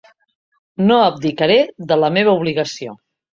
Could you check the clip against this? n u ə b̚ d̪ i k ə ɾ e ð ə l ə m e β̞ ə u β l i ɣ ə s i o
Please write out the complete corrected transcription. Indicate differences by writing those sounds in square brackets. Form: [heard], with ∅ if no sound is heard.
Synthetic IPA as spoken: n [o] ə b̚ d̪ i k ə ɾ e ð ə l ə m e β̞ ə u β l i ɣ ə s i o